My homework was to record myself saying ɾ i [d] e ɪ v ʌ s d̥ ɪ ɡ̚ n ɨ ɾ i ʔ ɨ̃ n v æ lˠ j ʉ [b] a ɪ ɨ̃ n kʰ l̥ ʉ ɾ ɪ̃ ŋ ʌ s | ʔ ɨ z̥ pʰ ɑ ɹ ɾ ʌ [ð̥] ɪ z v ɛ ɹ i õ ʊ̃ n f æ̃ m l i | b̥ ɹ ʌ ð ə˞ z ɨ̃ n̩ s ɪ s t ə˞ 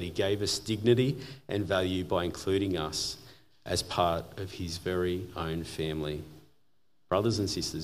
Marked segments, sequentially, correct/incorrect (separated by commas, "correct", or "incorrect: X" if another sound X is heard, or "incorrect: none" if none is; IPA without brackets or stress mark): incorrect: ɡ, correct, incorrect: v̥